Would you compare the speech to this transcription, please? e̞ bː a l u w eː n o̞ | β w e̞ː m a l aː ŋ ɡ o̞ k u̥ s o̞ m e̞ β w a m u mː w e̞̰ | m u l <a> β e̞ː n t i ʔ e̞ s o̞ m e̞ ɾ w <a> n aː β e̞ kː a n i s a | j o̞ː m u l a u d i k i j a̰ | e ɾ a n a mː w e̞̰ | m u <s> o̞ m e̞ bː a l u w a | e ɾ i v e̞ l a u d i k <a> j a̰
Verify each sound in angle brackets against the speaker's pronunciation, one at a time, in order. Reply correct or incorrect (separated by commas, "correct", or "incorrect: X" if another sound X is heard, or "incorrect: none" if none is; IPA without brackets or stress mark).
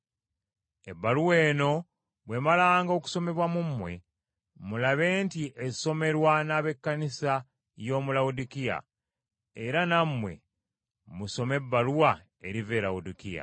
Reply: correct, correct, correct, incorrect: i